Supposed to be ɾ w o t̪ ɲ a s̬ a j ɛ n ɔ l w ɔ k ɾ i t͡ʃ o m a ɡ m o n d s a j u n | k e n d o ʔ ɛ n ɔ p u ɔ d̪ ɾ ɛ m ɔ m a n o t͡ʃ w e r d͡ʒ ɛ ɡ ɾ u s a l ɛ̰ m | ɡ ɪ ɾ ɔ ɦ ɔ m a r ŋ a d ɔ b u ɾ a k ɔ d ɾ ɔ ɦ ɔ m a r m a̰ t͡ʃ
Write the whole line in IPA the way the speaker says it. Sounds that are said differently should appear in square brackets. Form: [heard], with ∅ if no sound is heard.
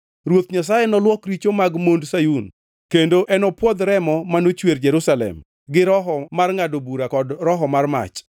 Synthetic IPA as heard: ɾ w o t̪ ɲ a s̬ a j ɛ n ɔ l w ɔ k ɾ i t͡ʃ o m a ɡ m o n d s a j u n | k e n d o ʔ ɛ n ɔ p [w] ɔ d̪ ɾ ɛ m ɔ m a n o t͡ʃ w e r d͡ʒ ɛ [∅] ɾ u s a l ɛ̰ m | ɡ ɪ ɾ ɔ ɦ ɔ m a r ŋ a d [o] b u ɾ a k ɔ d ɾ ɔ ɦ ɔ m a r m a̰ t͡ʃ